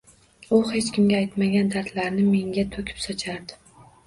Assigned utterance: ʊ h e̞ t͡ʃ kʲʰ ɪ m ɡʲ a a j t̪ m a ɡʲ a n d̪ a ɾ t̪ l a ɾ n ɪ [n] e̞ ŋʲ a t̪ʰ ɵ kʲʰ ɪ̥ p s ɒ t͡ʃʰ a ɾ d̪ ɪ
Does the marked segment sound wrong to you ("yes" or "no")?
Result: yes